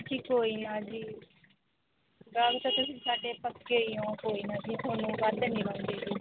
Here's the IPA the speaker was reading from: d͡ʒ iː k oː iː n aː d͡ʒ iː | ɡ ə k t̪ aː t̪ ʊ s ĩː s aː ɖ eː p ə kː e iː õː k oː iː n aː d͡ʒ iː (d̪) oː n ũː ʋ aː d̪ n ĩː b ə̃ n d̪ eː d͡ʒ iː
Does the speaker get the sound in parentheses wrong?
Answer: yes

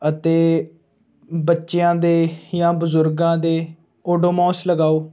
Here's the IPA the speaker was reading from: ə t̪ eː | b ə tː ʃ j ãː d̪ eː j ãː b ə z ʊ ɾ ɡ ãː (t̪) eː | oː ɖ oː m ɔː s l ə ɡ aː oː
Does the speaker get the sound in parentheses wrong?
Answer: yes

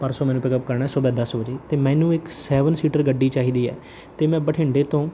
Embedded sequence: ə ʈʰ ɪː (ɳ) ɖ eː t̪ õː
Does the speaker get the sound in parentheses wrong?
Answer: no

